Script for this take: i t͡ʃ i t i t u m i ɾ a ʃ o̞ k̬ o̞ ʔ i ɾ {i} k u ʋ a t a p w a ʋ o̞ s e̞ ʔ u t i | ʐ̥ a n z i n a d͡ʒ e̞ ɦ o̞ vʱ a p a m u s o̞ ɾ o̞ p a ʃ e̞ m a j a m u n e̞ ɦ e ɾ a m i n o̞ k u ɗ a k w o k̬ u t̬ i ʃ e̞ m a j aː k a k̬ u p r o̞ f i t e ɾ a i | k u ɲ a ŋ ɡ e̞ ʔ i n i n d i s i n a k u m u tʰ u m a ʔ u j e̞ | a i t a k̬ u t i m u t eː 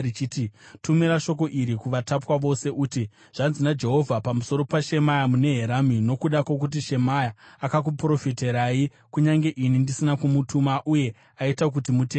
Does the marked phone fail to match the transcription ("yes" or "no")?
no